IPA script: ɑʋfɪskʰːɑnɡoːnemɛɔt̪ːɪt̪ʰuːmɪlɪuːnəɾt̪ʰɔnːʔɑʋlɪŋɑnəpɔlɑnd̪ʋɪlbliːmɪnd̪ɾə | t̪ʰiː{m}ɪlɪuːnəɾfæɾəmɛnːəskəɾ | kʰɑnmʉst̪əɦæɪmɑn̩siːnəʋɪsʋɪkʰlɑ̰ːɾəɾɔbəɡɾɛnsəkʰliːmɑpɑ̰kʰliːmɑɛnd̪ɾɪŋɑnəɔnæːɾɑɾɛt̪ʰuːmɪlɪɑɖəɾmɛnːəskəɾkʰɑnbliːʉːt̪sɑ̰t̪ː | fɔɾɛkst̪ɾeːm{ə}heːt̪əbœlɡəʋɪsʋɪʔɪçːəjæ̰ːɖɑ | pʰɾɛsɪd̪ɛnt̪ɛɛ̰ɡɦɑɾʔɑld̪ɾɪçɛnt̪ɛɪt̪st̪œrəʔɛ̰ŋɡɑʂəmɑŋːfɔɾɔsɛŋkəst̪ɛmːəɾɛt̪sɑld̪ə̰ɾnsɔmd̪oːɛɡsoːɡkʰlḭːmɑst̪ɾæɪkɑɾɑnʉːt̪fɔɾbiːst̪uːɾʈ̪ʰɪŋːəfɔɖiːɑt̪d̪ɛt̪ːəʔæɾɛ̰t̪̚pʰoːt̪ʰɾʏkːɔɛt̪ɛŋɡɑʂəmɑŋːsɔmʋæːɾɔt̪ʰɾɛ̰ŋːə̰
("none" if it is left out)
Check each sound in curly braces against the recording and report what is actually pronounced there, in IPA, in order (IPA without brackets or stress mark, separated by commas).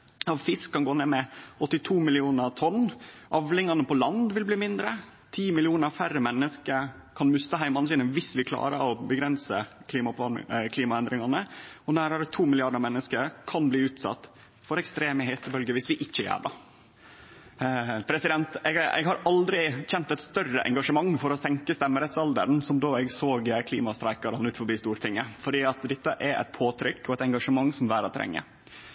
m, ə